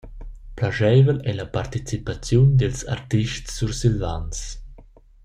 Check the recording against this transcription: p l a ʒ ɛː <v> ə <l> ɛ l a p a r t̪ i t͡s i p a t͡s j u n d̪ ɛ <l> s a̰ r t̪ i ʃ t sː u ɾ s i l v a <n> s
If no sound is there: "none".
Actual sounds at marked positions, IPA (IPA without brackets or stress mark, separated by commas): v, l, l, n